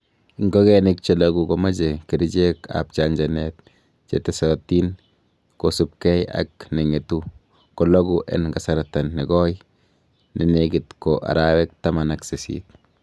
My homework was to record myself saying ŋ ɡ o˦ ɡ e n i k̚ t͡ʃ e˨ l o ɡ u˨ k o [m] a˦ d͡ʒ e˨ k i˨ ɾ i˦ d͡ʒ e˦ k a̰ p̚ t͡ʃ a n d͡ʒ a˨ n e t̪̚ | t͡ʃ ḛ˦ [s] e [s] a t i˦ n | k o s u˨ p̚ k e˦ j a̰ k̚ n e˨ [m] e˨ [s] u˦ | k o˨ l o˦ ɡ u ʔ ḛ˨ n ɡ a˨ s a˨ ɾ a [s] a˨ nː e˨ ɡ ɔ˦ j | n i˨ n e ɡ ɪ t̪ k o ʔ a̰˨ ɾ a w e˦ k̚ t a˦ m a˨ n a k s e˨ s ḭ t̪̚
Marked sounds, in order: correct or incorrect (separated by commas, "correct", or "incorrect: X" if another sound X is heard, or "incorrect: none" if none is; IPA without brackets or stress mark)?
correct, incorrect: t, correct, incorrect: ŋ, incorrect: t, incorrect: t